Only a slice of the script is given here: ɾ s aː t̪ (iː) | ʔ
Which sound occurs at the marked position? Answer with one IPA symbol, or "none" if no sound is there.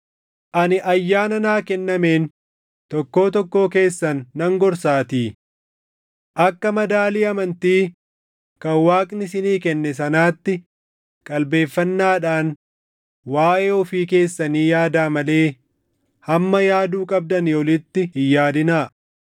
iː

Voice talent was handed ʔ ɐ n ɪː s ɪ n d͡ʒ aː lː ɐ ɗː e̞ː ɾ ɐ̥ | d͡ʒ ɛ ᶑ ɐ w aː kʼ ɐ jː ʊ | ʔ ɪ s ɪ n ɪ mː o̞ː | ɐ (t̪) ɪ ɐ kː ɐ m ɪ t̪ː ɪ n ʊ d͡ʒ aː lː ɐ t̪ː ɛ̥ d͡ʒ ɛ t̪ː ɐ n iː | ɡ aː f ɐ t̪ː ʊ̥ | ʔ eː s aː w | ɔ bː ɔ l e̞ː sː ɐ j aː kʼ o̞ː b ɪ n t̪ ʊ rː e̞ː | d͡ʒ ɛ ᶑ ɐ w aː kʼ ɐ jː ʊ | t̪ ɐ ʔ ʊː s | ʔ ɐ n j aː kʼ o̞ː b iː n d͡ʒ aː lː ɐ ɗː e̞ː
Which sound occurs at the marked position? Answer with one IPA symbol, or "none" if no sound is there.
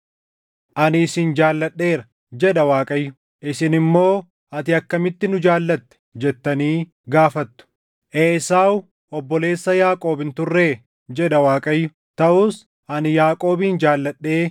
t̪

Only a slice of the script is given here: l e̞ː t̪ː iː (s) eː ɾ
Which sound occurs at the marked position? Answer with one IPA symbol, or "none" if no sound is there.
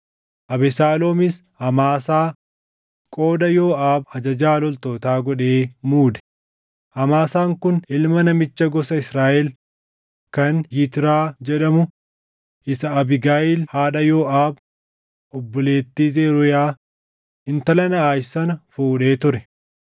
z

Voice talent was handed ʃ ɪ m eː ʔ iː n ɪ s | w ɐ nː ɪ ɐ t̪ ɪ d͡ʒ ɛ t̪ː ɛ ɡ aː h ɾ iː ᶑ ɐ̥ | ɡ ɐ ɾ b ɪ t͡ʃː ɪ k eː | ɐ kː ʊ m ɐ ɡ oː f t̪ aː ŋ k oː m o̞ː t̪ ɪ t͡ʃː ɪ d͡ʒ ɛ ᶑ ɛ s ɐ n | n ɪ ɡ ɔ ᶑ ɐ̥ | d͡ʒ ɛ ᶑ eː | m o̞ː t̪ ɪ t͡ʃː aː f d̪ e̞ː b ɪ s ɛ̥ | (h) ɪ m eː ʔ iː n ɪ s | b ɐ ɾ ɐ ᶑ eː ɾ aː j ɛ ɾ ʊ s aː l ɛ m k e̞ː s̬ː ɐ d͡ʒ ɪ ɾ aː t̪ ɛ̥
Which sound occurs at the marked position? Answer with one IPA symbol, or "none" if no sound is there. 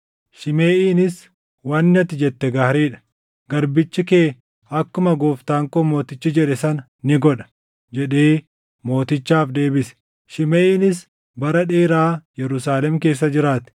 ʃ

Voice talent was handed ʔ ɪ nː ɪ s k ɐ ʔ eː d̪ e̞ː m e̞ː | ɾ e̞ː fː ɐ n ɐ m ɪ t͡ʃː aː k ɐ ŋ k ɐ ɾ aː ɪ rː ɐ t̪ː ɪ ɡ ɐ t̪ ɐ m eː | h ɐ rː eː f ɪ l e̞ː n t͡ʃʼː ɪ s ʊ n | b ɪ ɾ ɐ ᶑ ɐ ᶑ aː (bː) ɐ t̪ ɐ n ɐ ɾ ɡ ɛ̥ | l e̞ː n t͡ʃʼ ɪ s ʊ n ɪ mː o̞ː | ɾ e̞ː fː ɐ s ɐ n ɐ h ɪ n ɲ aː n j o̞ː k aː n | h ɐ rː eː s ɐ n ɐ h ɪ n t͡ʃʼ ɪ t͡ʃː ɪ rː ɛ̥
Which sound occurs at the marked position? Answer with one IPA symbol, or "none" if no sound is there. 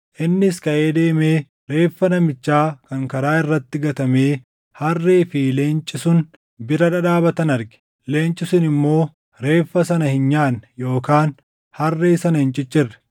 b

